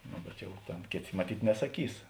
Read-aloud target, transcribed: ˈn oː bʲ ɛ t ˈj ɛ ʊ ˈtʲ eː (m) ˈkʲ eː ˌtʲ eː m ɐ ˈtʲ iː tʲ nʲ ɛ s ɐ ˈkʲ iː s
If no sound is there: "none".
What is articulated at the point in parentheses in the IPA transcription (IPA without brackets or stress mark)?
n